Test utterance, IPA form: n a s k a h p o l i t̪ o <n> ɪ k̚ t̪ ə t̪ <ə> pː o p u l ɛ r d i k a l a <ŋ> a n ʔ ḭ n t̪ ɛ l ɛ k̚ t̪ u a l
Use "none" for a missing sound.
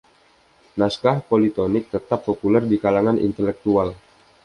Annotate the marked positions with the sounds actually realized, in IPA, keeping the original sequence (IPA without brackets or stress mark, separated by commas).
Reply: n, a, ŋ